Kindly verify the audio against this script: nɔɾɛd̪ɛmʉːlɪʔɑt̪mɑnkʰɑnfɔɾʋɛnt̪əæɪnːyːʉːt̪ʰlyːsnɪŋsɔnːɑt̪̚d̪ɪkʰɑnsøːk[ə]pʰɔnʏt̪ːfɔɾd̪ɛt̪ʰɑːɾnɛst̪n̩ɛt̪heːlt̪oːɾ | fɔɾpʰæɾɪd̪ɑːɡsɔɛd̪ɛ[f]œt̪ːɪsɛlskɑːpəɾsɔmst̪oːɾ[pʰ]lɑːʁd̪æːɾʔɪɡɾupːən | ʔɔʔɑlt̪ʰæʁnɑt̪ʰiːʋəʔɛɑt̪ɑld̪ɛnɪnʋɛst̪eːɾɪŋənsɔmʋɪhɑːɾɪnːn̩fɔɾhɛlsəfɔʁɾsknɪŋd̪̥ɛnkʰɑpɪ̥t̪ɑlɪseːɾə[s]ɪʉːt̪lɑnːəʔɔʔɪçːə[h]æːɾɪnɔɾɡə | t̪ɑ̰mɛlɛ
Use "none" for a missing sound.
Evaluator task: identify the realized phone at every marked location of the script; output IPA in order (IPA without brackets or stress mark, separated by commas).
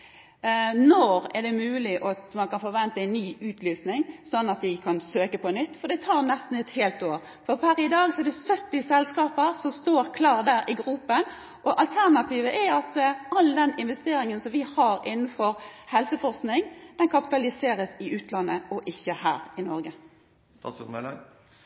ə, s, kʰ, s, h